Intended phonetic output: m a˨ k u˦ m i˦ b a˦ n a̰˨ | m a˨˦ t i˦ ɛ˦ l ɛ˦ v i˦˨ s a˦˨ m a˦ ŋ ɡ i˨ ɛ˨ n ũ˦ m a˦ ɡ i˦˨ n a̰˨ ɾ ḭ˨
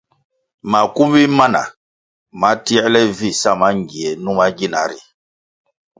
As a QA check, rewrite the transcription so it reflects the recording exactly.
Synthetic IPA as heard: m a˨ k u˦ m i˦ m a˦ n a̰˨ | m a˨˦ t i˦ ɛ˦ l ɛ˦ v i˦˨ s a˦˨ m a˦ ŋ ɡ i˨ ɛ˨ n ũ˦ m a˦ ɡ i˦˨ n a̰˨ ɾ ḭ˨